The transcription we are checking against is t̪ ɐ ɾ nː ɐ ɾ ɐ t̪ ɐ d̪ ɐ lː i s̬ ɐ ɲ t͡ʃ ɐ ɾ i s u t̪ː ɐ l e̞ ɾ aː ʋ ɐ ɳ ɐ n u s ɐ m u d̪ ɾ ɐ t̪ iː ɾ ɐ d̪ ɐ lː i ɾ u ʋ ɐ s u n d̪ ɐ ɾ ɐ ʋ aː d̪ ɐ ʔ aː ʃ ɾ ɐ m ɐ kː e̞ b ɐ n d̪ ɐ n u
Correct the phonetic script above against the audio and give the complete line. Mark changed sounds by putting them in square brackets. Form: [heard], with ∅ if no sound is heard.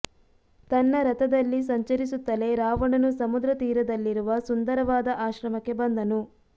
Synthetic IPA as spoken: t̪ ɐ [∅] nː ɐ ɾ ɐ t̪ ɐ d̪ ɐ lː i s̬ ɐ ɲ t͡ʃ ɐ ɾ i s u t̪ː ɐ l e̞ ɾ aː ʋ ɐ ɳ ɐ n u s ɐ m u d̪ ɾ ɐ t̪ iː ɾ ɐ d̪ ɐ lː i ɾ u ʋ ɐ s u n d̪ ɐ ɾ ɐ ʋ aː d̪ ɐ ʔ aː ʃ ɾ ɐ m ɐ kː e̞ b ɐ n d̪ ɐ n u